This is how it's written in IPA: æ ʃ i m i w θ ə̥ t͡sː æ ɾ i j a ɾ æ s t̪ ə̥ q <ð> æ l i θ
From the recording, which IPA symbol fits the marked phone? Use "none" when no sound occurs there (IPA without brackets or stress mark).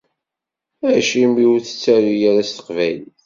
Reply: v